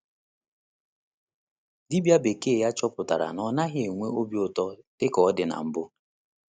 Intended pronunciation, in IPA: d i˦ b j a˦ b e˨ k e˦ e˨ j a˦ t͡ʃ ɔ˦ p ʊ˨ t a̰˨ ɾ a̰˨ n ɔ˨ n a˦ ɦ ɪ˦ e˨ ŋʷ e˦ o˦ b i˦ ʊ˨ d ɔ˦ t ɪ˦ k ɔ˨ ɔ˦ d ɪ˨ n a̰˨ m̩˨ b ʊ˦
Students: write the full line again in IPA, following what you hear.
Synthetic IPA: d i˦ b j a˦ b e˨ k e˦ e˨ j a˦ t͡ʃ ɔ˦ p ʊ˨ t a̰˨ ɾ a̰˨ n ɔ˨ n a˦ ɦ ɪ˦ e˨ ŋʷ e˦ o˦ b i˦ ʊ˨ t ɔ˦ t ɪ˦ k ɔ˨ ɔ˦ d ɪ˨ n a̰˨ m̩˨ b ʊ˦